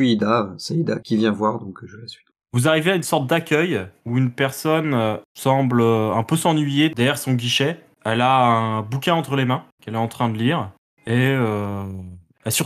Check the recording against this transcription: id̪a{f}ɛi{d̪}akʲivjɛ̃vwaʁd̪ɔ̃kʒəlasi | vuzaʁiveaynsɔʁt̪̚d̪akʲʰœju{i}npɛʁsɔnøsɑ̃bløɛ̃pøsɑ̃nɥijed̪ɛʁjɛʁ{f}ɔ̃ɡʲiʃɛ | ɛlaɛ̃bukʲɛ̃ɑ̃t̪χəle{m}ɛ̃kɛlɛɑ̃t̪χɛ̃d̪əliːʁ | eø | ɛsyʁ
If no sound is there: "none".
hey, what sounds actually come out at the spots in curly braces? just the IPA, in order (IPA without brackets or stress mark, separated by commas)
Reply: s, d̪, y, s, m